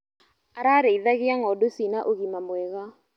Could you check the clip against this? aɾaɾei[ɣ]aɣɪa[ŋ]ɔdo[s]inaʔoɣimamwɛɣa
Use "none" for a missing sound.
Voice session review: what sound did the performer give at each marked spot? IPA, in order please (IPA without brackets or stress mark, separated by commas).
ð, ŋ, s